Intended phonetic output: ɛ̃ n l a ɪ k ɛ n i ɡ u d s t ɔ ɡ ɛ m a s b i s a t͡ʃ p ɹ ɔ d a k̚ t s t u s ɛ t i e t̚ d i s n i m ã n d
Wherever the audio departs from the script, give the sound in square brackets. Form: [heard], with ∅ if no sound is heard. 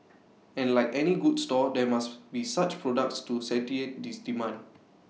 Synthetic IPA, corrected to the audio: ɛ̃ n l a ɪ k ɛ n i ɡ u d s t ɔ [d] ɛ m a s b i s a t͡ʃ p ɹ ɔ d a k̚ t s t u s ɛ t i e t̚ d i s [d] i m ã n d

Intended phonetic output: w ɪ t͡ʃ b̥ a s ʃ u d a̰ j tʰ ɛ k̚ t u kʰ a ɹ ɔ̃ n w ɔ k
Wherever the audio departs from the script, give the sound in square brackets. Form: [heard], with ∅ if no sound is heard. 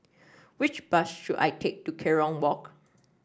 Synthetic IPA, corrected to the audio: w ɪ t͡ʃ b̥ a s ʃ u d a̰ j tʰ [e] k̚ t u kʰ [ɛ] ɹ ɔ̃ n w ɔ k

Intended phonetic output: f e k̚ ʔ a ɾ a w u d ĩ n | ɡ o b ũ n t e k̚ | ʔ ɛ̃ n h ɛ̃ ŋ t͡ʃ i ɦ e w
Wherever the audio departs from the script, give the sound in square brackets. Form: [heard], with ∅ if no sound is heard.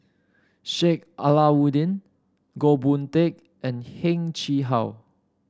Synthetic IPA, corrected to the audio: [ʃ] e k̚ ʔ a [l] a w u d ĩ n | ɡ o b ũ n t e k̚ | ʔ ɛ̃ n h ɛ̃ ŋ t͡ʃ i ɦ [a] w

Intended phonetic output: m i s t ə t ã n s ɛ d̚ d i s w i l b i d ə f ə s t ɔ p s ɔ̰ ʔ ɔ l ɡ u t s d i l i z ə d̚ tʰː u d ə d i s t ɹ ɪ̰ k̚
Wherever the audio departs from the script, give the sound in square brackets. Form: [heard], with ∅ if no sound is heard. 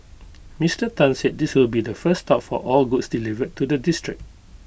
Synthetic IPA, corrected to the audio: m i s t ə t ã n s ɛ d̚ d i s w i l b i d ə f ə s t ɔ p [f] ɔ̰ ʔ ɔ l ɡ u t s d i l i [v] ə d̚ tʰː u d ə d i s t ɹ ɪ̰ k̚

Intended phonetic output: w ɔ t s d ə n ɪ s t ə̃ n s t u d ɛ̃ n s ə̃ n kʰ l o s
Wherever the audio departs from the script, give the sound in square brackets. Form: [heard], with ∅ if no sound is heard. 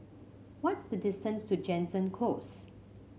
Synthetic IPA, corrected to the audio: w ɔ t s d ə [d] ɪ s t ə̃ n s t u [d͡ʒ] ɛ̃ n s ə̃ n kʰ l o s

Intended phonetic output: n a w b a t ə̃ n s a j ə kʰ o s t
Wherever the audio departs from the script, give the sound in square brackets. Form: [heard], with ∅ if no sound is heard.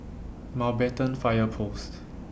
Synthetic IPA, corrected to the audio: [m] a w b [ɛ] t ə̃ n [f] a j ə [pʰ] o s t

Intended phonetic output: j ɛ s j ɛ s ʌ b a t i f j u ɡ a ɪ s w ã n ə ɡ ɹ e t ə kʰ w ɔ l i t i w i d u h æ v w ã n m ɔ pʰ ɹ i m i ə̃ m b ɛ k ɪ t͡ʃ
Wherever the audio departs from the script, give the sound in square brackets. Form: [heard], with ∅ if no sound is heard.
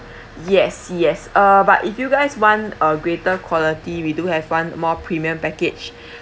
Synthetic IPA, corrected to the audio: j ɛ s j ɛ s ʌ b a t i f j u ɡ a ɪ s w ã n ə ɡ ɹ e t ə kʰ w ɔ l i t i w i d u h [ɛ] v w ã n m ɔ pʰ ɹ i m i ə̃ m [p] ɛ k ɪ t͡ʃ

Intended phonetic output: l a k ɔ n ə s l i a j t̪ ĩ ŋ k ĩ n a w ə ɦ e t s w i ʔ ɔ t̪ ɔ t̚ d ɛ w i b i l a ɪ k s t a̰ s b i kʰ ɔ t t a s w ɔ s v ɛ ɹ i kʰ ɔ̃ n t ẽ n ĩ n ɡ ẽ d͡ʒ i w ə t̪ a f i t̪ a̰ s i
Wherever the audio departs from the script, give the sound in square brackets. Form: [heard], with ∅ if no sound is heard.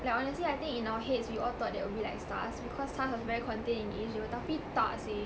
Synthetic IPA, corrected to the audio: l a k ɔ n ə s l i a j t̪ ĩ ŋ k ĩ n a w ə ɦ e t s w i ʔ ɔ t̪ ɔ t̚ d ɛ w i b i l a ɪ k s t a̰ s b i kʰ ɔ [s] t a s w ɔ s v ɛ ɹ i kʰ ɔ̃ n t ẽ n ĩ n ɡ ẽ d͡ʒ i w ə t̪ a f i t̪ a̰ s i

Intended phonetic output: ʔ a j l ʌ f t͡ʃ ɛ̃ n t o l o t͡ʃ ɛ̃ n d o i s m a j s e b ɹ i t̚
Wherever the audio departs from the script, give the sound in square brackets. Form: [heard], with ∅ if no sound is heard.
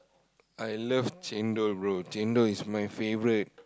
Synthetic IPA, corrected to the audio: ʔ a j l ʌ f t͡ʃ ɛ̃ n [d] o [ɹ] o t͡ʃ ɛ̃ n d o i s m a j [f] e [v] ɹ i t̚

